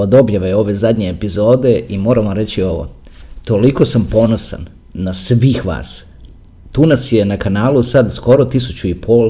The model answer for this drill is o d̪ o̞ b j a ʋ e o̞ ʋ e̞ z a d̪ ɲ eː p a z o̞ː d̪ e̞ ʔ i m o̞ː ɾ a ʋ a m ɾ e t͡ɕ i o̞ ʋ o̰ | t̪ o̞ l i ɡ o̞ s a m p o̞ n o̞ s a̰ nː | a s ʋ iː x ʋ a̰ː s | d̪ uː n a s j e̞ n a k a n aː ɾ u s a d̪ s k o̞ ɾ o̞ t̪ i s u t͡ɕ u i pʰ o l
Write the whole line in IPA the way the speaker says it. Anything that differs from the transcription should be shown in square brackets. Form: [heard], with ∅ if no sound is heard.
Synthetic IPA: o d̪ o̞ b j a ʋ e o̞ ʋ e̞ z a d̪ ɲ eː p [i] z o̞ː d̪ e̞ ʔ i m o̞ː ɾ a ʋ a m ɾ e t͡ɕ i o̞ ʋ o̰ | t̪ o̞ l i [k] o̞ s a m p o̞ n o̞ s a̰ nː | a s ʋ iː x ʋ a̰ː s | [t̪] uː n a s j e̞ n a k a n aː [l] u s a d̪ s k o̞ ɾ o̞ t̪ i s u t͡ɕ u i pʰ o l